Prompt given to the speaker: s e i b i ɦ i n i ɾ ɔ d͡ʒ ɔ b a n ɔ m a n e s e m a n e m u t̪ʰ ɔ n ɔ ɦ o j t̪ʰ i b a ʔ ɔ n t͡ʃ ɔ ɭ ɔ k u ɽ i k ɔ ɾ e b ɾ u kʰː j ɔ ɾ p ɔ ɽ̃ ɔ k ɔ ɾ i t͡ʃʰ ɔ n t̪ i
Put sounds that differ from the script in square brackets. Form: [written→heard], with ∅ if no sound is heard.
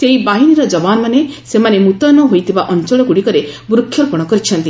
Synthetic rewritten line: s e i b [i→a] ɦ i n i ɾ ɔ d͡ʒ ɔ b a n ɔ m a n e s e m a n e m u [t̪ʰ→t̪] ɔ n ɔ ɦ o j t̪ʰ i b a ʔ ɔ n t͡ʃ ɔ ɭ ɔ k u ɽ i k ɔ ɾ e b ɾ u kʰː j ɔ ɾ p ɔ ɽ̃ ɔ k ɔ ɾ i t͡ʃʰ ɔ n t̪ i